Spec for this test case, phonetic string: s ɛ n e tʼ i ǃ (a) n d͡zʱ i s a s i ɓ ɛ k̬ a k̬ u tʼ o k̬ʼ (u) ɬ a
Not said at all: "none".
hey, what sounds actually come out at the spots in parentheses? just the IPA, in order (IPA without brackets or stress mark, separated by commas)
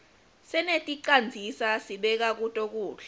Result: a, uː